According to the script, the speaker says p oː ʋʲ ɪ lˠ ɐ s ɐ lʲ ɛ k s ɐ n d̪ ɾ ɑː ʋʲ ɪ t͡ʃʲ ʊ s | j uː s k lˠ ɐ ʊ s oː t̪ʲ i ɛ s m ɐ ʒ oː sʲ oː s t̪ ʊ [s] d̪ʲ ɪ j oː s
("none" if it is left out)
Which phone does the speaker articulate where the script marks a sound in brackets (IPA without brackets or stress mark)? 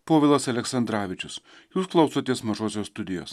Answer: none